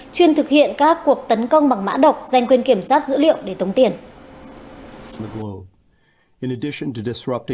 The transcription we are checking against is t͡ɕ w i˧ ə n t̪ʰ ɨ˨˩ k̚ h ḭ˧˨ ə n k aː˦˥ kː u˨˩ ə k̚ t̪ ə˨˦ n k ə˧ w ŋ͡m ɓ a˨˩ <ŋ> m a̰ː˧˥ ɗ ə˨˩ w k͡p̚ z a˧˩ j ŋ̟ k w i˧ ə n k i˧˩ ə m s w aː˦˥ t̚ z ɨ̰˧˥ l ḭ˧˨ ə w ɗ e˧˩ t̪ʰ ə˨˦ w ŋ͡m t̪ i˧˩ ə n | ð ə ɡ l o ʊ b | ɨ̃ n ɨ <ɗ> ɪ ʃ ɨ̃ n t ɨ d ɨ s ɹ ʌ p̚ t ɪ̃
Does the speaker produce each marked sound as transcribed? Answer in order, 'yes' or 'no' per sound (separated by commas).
yes, no